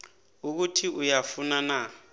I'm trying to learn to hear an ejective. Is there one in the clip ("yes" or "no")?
no